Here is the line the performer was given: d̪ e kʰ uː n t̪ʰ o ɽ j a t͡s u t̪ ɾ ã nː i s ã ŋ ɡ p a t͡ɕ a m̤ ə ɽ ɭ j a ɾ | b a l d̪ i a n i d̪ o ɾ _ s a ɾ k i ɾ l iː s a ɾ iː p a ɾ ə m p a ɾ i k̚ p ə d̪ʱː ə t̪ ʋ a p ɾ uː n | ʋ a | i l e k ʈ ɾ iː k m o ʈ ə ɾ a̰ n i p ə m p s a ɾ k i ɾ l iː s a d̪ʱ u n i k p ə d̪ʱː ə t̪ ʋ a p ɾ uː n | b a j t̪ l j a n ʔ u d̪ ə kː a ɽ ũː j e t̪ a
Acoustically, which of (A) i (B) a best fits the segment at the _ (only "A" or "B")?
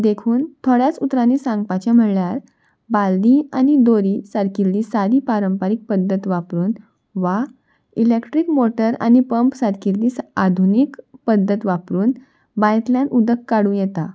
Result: A